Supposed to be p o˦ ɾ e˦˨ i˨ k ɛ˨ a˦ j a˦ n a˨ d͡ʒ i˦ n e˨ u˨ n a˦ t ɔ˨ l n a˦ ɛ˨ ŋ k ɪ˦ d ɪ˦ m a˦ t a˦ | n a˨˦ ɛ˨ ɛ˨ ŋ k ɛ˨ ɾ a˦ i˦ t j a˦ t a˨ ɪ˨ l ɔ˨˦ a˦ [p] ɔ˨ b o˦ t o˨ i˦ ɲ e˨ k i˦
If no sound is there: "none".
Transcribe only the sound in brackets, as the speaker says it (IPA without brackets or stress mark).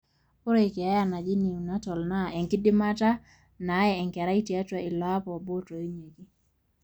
p